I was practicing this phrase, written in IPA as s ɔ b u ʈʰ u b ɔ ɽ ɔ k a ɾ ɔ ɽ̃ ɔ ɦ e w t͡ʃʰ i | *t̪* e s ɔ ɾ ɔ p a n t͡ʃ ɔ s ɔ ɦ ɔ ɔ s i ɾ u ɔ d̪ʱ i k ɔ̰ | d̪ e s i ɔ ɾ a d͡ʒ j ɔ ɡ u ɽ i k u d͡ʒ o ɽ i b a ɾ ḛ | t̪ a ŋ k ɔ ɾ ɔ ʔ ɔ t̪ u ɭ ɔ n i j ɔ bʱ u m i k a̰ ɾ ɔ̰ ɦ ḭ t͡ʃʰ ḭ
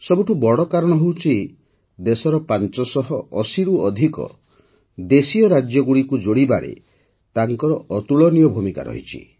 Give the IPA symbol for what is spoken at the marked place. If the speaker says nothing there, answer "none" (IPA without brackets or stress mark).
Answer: d̪